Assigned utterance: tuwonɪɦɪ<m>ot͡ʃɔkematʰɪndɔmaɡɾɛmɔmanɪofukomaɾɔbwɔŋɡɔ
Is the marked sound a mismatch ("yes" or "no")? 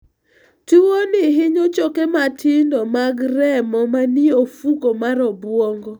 yes